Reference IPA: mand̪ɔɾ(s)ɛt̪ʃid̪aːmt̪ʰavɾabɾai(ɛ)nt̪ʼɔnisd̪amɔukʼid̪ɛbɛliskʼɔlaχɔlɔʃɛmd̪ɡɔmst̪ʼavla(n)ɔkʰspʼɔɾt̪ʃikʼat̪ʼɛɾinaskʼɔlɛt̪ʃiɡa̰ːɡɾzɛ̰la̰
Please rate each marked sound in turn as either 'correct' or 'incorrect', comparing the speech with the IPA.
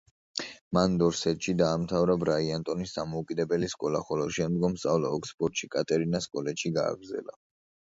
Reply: correct, incorrect, incorrect

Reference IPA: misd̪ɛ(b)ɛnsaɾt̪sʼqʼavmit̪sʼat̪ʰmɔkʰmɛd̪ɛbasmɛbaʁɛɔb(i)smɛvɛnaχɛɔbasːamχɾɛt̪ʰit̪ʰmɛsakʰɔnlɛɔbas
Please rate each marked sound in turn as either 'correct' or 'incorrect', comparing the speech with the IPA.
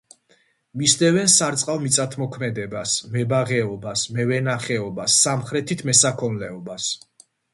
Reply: incorrect, incorrect

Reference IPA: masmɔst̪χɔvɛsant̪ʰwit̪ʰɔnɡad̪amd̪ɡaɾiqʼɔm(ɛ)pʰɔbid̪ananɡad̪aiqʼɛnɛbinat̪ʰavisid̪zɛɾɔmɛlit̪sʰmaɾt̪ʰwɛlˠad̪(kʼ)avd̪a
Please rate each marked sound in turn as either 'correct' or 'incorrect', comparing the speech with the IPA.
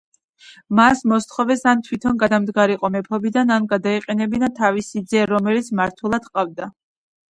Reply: correct, incorrect

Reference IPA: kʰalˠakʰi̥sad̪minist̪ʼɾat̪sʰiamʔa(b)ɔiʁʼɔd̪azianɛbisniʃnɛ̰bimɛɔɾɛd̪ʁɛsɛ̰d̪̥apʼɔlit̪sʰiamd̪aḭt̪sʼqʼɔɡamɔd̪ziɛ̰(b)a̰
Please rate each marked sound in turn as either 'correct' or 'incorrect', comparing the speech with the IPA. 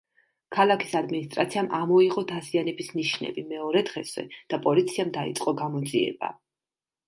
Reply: incorrect, correct

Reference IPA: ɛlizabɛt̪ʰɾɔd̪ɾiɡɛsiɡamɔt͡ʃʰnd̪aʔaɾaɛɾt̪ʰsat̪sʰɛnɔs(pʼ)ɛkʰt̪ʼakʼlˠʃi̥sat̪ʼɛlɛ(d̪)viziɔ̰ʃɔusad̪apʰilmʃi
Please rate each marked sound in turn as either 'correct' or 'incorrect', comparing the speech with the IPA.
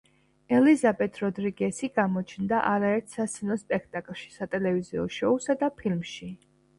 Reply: correct, incorrect

